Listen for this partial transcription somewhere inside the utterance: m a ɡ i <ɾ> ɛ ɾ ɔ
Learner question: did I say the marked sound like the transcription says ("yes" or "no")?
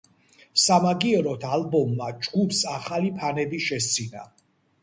no